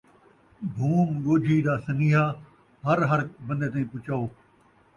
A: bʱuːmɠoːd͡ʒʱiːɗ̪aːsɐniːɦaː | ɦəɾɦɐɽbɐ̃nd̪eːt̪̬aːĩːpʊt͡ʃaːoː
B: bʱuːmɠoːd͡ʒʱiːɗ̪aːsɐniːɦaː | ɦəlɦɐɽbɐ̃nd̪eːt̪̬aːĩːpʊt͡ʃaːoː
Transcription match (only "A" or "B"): A